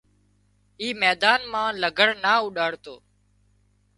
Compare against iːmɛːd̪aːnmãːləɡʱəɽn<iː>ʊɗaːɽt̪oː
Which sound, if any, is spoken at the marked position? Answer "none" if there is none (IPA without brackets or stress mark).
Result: aː